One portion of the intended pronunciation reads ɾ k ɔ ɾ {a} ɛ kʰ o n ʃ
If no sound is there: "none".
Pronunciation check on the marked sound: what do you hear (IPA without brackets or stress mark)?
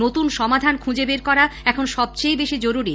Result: a